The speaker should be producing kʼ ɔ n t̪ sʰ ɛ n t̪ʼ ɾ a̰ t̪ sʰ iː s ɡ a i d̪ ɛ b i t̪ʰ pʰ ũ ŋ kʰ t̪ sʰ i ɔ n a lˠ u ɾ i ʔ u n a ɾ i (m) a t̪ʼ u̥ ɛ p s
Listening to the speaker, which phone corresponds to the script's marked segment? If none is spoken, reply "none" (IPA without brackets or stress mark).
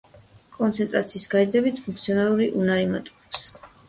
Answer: m